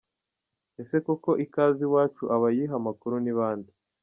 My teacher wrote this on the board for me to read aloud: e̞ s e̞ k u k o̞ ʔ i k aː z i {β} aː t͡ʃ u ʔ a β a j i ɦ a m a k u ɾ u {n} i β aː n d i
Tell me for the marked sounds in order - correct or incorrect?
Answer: incorrect, correct

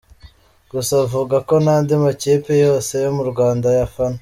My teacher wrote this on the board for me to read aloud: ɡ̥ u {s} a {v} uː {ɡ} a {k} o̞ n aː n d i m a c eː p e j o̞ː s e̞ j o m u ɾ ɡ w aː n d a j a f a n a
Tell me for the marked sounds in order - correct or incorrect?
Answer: correct, correct, correct, correct

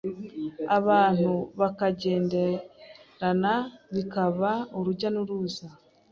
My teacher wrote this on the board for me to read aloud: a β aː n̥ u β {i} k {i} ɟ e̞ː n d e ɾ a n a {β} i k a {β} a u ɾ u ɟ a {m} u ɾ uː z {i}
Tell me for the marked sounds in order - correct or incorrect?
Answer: incorrect, incorrect, correct, correct, incorrect, incorrect

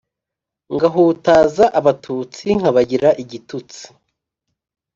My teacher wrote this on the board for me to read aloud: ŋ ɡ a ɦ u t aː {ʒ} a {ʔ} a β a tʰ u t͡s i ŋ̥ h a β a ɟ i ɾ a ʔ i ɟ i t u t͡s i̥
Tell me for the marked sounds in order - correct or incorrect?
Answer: incorrect, correct

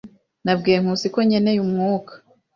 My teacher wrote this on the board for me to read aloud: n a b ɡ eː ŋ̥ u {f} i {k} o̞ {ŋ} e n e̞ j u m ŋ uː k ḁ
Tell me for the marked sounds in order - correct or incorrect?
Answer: incorrect, correct, incorrect

